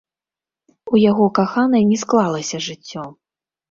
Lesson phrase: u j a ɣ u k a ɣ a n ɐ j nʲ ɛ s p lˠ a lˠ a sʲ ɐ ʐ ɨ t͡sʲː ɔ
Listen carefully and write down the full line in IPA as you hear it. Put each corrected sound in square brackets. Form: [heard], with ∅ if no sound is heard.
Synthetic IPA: u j a ɣ [ɔ] k a [x] a n ɐ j nʲ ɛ s [k] lˠ a lˠ [ɐ] sʲ ɐ ʐ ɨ t͡sʲː ɔ